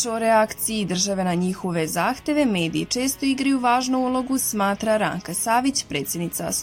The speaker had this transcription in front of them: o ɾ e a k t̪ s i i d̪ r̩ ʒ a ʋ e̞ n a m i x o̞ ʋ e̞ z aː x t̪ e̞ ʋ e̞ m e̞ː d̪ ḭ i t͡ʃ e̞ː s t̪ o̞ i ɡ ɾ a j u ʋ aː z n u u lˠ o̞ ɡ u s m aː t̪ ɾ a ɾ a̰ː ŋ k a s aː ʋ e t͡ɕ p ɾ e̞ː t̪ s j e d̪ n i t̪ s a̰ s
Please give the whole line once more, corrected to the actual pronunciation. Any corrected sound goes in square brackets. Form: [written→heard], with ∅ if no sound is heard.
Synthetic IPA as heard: o ɾ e a k t̪ s i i d̪ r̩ ʒ a ʋ e̞ n a [m→ɲ] i x o̞ ʋ e̞ z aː x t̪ e̞ ʋ e̞ m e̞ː d̪ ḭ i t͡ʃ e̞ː s t̪ o̞ i ɡ ɾ a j u ʋ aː [z→ʒ] n u u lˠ o̞ ɡ u s m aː t̪ ɾ a ɾ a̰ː ŋ k a s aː ʋ [e→i] t͡ɕ p ɾ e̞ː t̪ s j e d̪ n i t̪ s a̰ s